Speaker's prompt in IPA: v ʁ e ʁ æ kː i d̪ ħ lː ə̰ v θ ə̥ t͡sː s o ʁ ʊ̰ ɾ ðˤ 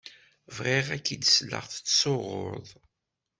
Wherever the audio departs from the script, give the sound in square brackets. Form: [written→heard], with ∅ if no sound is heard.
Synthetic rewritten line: v ʁ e ʁ æ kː i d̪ [ħ→s] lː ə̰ [v→ʁ] θ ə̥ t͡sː s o ʁ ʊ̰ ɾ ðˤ